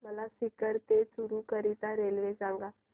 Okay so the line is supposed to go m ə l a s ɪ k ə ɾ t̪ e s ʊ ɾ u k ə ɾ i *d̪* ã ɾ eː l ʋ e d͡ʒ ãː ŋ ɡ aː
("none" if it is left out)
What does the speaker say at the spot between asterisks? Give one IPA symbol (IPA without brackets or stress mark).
t̪